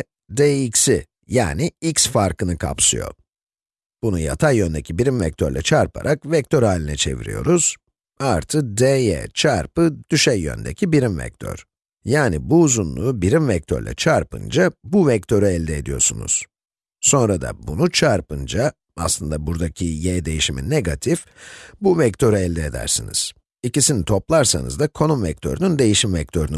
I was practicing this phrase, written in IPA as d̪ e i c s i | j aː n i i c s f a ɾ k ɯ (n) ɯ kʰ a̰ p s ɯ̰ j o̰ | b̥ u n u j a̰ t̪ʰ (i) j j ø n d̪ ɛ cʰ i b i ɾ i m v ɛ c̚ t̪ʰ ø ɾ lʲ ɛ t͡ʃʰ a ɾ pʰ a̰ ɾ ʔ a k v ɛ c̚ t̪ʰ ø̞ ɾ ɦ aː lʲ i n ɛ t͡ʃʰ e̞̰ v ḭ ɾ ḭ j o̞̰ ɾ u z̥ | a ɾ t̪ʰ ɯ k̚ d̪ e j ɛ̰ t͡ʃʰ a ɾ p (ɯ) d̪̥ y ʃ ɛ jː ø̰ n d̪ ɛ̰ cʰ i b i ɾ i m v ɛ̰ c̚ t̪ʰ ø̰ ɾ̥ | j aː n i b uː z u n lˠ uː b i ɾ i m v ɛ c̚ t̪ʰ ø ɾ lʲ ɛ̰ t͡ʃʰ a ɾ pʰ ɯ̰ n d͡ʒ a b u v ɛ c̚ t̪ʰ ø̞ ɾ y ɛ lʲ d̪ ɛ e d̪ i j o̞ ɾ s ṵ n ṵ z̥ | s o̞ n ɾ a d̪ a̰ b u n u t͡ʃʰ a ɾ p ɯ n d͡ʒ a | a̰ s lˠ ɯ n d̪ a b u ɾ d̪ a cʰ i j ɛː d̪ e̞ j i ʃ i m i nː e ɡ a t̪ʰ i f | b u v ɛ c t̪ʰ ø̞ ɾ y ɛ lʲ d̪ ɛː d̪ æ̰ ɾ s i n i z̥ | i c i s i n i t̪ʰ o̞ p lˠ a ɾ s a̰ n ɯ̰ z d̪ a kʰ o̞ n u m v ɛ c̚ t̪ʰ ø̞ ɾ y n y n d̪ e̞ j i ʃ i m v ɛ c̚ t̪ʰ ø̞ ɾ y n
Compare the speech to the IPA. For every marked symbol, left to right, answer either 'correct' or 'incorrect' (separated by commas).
correct, incorrect, correct